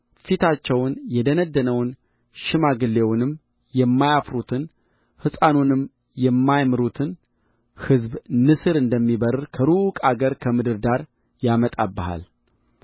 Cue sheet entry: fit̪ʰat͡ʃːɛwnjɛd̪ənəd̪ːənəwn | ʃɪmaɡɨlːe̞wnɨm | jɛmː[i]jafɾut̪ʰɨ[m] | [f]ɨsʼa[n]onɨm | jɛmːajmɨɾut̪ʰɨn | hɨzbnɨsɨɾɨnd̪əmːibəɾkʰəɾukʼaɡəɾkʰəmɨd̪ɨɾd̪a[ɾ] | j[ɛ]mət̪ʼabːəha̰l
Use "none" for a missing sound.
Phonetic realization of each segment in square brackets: a, n, h, n, ɾ, a

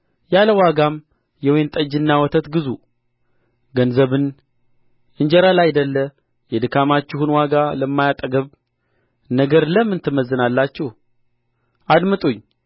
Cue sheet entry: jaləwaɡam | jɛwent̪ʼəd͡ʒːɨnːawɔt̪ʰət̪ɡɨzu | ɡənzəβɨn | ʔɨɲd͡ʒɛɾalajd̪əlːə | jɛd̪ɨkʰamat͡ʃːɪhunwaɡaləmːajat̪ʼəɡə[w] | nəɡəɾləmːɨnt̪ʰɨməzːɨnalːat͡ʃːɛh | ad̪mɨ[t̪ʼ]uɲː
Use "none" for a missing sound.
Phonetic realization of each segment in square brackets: β, t̪ʼ

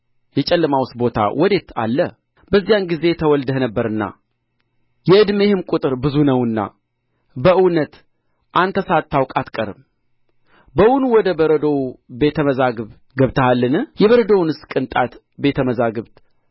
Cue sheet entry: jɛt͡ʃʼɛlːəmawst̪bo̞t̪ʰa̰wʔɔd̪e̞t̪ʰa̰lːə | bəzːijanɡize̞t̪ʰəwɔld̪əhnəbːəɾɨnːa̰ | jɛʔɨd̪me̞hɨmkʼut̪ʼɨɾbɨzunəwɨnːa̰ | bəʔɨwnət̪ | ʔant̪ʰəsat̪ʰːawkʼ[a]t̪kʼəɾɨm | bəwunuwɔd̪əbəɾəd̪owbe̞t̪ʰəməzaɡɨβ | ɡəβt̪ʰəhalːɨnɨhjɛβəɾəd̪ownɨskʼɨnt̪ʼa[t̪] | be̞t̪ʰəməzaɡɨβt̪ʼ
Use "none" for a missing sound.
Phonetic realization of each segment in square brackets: a, t̪

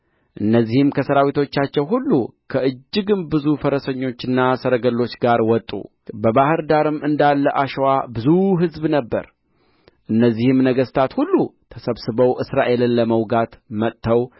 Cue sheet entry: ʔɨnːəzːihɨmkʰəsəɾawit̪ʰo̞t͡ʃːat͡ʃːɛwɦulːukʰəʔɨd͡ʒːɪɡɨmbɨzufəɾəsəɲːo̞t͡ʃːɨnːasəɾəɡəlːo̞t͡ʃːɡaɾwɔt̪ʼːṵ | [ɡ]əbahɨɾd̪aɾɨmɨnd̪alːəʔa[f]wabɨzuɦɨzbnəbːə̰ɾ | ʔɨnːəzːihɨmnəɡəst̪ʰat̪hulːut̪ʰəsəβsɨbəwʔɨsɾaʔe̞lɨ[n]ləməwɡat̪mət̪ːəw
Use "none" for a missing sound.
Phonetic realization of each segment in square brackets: b, ʃ, n

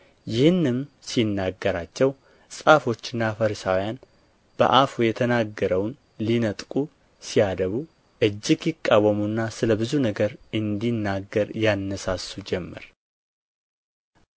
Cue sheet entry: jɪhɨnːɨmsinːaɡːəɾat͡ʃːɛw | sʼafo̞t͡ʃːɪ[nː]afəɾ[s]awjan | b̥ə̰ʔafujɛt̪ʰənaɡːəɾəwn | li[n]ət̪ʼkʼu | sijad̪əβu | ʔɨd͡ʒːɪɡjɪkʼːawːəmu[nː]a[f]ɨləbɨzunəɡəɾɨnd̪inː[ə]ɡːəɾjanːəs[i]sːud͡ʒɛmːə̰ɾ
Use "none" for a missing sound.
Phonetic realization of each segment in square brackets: nː, s, n, nː, s, a, a

